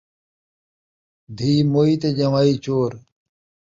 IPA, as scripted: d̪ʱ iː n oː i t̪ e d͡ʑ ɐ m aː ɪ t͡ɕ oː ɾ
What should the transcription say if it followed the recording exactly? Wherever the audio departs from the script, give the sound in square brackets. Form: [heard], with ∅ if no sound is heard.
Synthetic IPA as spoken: d̪ʱ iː [m] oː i t̪ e d͡ʑ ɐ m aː [i] t͡ɕ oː ɾ